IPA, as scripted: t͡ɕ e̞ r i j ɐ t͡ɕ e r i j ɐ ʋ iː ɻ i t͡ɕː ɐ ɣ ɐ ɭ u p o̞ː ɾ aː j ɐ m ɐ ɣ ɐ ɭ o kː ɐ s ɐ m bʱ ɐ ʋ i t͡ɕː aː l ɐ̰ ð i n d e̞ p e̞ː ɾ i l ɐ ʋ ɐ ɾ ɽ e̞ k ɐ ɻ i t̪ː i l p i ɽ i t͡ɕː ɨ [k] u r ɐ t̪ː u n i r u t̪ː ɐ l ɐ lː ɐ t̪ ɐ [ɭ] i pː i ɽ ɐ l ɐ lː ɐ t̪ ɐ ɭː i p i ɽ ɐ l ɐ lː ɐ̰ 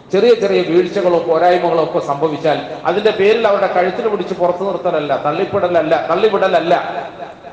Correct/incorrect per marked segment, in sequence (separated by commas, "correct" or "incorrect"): incorrect, incorrect